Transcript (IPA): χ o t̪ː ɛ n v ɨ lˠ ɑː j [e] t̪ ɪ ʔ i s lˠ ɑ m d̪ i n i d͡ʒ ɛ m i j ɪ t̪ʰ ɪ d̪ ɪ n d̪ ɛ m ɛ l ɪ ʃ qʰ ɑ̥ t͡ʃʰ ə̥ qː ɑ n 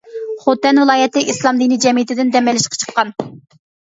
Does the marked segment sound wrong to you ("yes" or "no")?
yes